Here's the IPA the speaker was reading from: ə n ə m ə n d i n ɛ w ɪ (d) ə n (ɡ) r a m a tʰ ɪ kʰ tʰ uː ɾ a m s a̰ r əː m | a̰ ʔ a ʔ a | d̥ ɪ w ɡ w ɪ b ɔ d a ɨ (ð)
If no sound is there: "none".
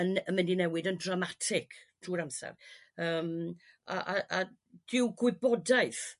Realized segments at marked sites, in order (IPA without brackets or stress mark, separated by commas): d, d, θ